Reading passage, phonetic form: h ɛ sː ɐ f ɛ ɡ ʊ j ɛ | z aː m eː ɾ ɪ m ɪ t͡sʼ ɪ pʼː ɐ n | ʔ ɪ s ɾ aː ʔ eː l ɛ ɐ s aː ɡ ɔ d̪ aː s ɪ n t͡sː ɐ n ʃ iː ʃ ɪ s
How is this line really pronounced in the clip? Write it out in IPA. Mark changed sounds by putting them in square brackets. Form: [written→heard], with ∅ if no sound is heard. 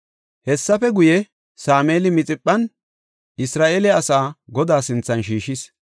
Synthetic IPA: h ɛ sː ɐ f ɛ ɡ ʊ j ɛ | [z→s] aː m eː [ɾ→l] ɪ m ɪ t͡sʼ ɪ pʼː ɐ n | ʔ ɪ s ɾ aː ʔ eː l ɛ ɐ s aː ɡ ɔ d̪ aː s ɪ n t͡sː ɐ n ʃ iː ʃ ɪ s